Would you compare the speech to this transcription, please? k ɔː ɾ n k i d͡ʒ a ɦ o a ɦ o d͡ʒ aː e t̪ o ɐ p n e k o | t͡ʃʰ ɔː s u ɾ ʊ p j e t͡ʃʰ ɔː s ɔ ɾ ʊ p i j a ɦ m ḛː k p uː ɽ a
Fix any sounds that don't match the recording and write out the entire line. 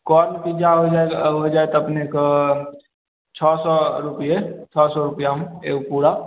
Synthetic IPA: k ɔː ɾ n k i d͡ʒ a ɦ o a ɦ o d͡ʒ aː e t̪ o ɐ p n e k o | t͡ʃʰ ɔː s ɔ ɾ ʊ p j e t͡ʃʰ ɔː s ɔ ɾ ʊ p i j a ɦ m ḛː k p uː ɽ a

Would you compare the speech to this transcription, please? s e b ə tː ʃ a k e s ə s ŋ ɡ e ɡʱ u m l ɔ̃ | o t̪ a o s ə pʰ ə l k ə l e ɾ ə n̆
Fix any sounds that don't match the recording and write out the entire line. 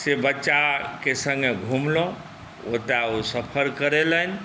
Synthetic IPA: s e b ə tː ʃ a k e s ə ŋ ɡ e ɡʱ u m l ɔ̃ | o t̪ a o s ə pʰ ə ɾ k ə ɾ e l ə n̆

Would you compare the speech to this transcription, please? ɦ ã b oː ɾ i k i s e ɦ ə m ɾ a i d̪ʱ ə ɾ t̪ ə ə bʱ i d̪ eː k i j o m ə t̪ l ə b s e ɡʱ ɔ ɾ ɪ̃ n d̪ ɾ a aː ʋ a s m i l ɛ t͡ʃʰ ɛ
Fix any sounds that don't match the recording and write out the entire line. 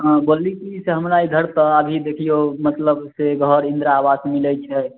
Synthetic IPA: ɦ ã b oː l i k i s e ɦ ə m ɾ a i d̪ʱ ə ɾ t̪ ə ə bʱ i d̪ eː kʰ i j o m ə t̪ l ə b s e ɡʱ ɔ ɾ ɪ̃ n d̪ ɾ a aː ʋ a s m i l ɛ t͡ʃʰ ɛ

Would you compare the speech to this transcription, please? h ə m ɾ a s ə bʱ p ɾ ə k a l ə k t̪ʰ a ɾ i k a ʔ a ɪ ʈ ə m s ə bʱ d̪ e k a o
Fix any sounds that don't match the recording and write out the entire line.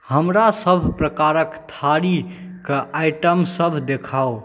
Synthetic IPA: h ə m ɾ a s ə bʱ p ɾ ə k a ɾ ə k t̪ʰ a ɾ i k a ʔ a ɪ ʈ ə m s ə bʱ d̪ e kʰ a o

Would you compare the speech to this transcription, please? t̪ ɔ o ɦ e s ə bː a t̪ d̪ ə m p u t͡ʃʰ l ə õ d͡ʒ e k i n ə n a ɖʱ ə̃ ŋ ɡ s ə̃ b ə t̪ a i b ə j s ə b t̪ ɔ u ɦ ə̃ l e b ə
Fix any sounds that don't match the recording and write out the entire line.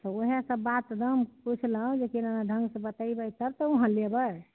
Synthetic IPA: t̪ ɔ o ɦ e s ə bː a t̪ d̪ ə m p u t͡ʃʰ l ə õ d͡ʒ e k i n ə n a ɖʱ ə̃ ŋ ɡ s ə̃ b ə t̪ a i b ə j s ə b t̪ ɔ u ɦ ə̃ l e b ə

